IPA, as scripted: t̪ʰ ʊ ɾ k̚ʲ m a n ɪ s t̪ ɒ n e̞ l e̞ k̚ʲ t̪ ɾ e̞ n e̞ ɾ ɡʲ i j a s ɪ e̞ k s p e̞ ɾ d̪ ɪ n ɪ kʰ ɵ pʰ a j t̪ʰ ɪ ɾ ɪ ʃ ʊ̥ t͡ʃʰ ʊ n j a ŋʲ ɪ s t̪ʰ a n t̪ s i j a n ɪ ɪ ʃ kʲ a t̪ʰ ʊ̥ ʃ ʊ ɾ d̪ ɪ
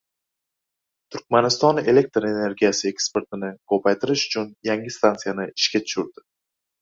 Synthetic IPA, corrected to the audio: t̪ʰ ʊ ɾ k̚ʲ m a n ɪ s t̪ ɒ n e̞ l e̞ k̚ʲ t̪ ɾ e̞ n e̞ ɾ ɡʲ i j a s ɪ e̞ k s p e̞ ɾ t̪ ɪ n ɪ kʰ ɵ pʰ a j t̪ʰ ɪ ɾ ɪ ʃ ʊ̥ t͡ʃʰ ʊ n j a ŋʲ ɪ s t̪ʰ a n t̪ s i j a n ɪ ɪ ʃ kʲ a t̪ʰ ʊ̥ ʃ ʊ ɾ d̪ ɪ